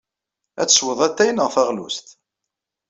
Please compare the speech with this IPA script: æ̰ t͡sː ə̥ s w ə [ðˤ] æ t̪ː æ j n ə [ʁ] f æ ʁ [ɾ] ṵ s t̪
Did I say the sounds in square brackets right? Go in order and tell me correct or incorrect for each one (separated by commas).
correct, correct, incorrect